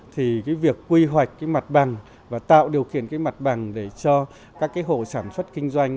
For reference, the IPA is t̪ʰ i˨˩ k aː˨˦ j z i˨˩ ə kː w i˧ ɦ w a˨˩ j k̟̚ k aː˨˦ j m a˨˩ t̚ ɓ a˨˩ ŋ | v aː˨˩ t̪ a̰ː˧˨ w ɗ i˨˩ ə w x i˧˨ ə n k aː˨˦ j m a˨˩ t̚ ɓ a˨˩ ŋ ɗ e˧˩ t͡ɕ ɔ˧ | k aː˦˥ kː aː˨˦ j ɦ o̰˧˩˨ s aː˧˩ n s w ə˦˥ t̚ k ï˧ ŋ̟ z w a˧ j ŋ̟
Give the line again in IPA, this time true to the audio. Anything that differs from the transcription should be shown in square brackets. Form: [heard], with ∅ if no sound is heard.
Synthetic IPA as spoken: t̪ʰ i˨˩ k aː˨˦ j [v] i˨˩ ə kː w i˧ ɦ w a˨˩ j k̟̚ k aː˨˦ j m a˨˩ t̚ ɓ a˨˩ ŋ | v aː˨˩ t̪ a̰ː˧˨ w ɗ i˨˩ ə w x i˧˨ ə n k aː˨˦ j m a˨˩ t̚ ɓ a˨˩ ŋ ɗ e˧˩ t͡ɕ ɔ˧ | k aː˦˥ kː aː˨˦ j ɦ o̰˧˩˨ s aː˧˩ n s w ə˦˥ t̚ k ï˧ ŋ̟ z w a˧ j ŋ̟